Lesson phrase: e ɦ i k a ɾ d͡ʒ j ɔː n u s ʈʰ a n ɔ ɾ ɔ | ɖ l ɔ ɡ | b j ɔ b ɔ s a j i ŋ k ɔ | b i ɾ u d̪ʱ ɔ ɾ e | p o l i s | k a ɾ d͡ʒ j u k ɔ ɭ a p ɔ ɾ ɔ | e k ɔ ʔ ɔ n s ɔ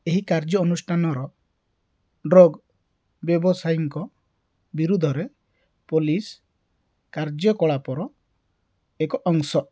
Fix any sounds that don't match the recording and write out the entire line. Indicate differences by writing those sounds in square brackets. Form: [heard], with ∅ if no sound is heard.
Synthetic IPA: e ɦ i k a ɾ d͡ʒ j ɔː n u s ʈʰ a n ɔ ɾ ɔ | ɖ [ɾ] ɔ ɡ | b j ɔ b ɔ s a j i ŋ k ɔ | b i ɾ u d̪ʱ ɔ ɾ e | p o l i s | k a ɾ d͡ʒ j [ɔ] k ɔ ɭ a p ɔ ɾ ɔ | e k ɔ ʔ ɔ [ŋ] s ɔ

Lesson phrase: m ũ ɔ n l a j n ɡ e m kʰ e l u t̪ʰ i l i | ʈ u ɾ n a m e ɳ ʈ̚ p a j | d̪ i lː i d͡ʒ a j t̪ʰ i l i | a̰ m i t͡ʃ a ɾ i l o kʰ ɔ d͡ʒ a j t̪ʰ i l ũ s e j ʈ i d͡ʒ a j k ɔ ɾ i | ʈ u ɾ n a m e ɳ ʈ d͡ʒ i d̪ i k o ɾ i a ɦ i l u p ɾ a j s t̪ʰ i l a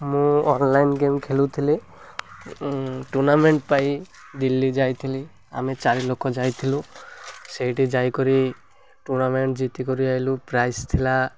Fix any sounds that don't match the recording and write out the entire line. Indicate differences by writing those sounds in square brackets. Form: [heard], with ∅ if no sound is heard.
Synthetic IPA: m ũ ɔ n l a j n ɡ e m kʰ e l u t̪ʰ i l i | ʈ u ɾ n a m e ɳ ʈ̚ p a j | d̪ i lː i d͡ʒ a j t̪ʰ i l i | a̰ m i t͡ʃ a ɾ i l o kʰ ɔ d͡ʒ a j t̪ʰ i l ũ s e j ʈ i d͡ʒ a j k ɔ ɾ i | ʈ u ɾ n a m e ɳ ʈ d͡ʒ i [t̪] i k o ɾ i a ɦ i l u p ɾ a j s t̪ʰ i l a

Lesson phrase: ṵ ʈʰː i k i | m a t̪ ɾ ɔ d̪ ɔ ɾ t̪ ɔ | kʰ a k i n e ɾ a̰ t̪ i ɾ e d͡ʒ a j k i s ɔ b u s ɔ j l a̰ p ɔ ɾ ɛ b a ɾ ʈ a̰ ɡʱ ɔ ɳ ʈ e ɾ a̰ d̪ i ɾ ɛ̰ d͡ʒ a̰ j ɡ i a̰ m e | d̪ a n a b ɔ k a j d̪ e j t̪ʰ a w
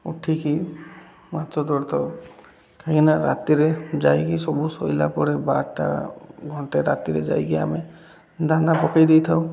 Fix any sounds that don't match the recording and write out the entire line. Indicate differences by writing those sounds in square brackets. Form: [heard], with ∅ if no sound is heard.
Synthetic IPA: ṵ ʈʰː i k i | m a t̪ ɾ ɔ d̪ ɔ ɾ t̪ ɔ | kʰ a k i n [a] ɾ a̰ t̪ i ɾ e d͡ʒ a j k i s ɔ b u s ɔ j l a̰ p ɔ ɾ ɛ b a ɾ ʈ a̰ ɡʱ ɔ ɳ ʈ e ɾ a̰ [t̪] i ɾ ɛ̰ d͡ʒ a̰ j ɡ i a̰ m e | d̪ a n a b ɔ k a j d̪ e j t̪ʰ a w

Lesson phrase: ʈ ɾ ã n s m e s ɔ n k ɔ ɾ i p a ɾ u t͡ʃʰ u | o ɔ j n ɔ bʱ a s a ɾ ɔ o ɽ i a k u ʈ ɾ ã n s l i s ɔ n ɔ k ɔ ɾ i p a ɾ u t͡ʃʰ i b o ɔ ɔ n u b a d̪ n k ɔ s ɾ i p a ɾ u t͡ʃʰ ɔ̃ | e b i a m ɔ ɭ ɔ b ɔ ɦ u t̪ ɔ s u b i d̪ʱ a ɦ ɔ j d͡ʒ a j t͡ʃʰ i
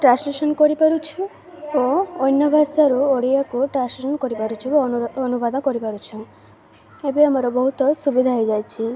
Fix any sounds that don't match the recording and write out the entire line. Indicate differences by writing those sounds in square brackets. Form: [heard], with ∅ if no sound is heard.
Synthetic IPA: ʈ ɾ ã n s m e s ɔ n k ɔ ɾ i p a ɾ u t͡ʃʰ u | o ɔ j n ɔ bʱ a s a ɾ [u] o ɽ i a k u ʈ ɾ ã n s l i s ɔ n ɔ k ɔ ɾ i p a ɾ u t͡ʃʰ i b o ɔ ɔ n u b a d̪ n k ɔ [∅] ɾ i p a ɾ u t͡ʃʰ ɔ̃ | e b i a m ɔ [ɾ] ɔ b ɔ ɦ u t̪ ɔ s u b i d̪ʱ a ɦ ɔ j d͡ʒ a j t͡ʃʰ i

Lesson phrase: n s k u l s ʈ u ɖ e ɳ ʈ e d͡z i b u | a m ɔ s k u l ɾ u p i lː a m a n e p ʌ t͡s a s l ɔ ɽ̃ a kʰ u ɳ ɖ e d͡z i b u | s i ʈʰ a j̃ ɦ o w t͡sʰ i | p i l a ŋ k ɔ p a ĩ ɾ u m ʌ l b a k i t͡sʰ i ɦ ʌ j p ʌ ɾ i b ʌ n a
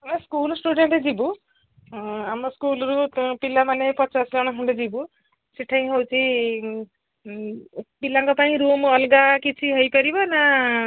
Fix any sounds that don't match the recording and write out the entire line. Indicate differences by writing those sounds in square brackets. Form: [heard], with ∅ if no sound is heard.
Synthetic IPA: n s k u l s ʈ u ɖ e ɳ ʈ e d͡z i b u | a m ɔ s k u l ɾ u p i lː a m a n e p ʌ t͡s a s l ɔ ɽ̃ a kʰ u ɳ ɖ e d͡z i b u | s i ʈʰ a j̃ ɦ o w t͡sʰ i | p i l a ŋ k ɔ p a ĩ ɾ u m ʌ l [ɡ] a k i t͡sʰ i ɦ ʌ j p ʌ ɾ i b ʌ n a

